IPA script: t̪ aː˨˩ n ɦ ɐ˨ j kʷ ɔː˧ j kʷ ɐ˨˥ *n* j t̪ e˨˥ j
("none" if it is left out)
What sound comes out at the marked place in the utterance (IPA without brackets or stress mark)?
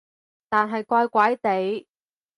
none